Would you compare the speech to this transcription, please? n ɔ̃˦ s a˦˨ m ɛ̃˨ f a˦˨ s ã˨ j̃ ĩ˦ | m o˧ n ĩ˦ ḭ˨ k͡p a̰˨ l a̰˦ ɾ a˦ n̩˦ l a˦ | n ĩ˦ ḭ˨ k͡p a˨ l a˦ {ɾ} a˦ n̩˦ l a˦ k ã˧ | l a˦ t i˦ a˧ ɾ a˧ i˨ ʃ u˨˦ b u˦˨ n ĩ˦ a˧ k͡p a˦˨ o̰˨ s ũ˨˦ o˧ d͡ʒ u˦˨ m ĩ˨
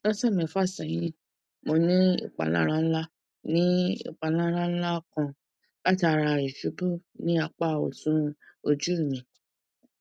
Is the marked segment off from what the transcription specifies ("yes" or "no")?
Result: no